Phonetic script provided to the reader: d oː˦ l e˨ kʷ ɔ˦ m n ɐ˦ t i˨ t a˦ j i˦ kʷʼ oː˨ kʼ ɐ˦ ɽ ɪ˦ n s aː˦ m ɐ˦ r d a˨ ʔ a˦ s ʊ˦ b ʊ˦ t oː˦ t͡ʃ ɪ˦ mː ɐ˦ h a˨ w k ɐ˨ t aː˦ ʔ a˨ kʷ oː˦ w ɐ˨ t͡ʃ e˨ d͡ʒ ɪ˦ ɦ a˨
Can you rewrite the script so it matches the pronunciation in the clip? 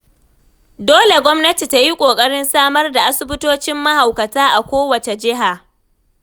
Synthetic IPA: d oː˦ l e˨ ɡʷ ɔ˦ m n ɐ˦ t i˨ t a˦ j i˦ kʷʼ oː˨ kʼ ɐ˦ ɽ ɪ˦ n s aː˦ m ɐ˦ r d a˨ ʔ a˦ s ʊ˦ b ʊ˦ t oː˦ t͡ʃ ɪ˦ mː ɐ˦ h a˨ w k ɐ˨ t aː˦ ʔ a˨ kʷ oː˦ w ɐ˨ t͡ʃ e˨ d͡ʒ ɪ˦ ɦ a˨